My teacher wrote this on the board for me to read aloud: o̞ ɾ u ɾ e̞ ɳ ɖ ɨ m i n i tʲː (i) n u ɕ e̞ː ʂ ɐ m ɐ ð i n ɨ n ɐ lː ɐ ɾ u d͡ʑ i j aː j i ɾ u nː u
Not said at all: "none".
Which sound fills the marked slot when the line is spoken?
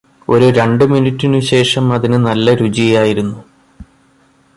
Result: i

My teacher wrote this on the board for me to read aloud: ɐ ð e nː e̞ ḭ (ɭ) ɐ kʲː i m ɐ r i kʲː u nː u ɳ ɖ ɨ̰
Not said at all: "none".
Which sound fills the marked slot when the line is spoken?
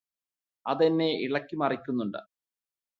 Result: ɭ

